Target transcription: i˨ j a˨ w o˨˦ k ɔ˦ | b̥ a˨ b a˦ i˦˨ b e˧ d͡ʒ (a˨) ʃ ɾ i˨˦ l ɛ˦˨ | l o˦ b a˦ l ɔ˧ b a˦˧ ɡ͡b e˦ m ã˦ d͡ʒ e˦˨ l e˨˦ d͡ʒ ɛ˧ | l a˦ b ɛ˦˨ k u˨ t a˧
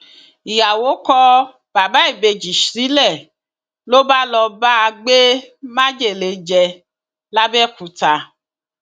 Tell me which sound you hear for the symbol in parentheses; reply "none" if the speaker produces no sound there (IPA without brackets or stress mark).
i˨